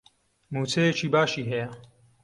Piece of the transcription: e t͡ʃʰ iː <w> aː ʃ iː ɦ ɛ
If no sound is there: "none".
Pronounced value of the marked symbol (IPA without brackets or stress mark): b